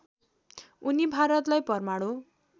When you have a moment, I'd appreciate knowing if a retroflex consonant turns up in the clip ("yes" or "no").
yes